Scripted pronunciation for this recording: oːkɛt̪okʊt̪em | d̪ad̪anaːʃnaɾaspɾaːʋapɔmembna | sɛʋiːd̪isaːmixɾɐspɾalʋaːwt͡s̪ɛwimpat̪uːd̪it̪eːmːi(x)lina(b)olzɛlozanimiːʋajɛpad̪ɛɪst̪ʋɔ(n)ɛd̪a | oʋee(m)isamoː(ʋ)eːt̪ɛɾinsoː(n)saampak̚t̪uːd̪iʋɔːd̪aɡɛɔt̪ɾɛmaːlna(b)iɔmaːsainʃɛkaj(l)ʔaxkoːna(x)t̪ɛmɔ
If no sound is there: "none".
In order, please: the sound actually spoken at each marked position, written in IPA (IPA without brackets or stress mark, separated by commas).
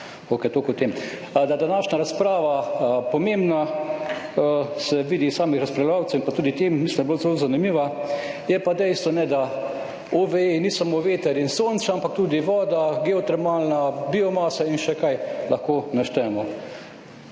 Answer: s, b, n, n, ʋ, n, b, l, ʃ